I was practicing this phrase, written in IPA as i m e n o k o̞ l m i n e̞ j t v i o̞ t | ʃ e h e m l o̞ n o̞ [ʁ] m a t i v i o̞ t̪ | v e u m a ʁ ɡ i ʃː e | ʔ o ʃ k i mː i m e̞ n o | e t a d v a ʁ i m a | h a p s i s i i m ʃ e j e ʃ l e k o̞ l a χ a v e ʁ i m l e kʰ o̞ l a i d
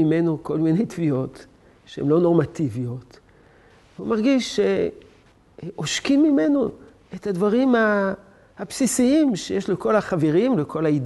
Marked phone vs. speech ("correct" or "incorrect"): correct